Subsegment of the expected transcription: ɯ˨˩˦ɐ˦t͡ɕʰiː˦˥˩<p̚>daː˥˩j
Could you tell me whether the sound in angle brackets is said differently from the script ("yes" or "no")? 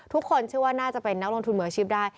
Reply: no